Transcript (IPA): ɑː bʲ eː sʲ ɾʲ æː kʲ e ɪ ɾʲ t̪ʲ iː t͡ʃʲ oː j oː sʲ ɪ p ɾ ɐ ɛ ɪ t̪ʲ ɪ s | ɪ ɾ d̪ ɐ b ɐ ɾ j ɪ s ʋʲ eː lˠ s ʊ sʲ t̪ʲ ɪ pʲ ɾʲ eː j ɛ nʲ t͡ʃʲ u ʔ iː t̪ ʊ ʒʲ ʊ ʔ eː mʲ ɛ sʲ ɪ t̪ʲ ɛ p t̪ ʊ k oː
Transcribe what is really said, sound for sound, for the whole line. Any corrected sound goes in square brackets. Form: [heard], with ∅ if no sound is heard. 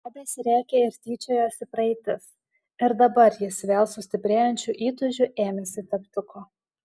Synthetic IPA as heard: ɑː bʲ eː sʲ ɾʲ æː kʲ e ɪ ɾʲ t̪ʲ iː t͡ʃʲ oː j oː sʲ ɪ p ɾ ɐ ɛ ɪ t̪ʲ ɪ s | ɪ ɾ d̪ ɐ b ɐ ɾ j ɪ s ʋʲ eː lˠ s ʊ sʲ t̪ʲ ɪ pʲ ɾʲ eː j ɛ nʲ t͡ʃʲ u ʔ iː t̪ ʊ ʒʲ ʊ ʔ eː mʲ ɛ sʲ ɪ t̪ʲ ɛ p t̪ ʊ k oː